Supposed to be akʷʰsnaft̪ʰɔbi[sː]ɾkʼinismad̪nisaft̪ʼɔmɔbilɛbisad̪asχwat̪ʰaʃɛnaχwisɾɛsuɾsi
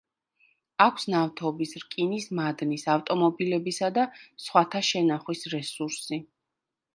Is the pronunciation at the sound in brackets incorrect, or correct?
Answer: incorrect: s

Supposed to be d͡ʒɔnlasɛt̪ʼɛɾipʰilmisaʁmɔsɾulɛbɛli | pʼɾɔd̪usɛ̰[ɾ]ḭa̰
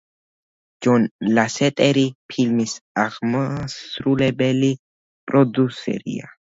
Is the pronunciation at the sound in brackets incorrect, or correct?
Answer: correct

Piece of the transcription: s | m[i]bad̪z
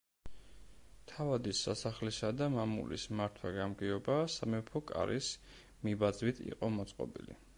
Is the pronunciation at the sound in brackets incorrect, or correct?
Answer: correct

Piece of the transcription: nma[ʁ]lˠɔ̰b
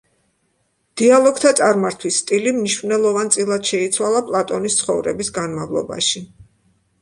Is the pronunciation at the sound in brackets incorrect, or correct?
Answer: incorrect: v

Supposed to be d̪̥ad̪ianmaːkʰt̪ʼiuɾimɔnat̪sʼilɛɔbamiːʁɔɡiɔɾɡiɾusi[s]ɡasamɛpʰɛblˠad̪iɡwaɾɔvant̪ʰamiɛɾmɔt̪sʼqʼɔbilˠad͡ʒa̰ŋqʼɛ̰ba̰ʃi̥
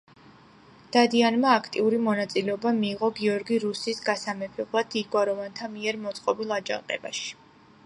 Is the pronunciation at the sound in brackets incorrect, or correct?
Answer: correct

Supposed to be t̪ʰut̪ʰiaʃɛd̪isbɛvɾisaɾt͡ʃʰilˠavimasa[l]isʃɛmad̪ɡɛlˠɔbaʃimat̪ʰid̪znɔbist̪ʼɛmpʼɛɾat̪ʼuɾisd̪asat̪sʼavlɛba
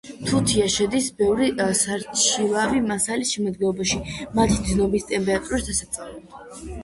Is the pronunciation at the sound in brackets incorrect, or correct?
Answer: correct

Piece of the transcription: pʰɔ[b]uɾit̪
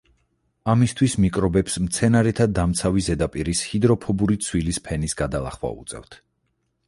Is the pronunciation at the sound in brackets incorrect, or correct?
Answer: correct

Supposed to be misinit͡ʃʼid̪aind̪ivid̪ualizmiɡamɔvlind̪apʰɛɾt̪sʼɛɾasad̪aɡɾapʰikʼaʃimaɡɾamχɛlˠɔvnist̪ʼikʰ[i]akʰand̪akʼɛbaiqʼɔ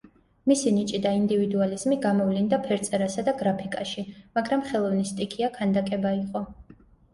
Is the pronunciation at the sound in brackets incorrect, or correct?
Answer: correct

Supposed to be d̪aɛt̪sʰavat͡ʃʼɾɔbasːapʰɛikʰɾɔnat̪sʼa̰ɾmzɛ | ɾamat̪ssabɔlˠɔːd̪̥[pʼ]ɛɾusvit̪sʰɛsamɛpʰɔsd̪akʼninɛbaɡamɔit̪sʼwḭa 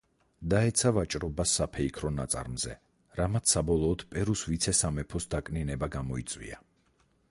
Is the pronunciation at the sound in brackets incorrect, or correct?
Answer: correct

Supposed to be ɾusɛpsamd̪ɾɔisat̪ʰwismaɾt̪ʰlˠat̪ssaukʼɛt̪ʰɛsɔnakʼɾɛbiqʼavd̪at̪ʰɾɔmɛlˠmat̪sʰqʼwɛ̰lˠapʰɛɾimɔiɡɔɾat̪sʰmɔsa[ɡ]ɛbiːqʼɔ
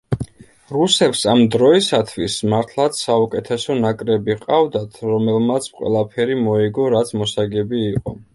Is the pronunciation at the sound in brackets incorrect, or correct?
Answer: correct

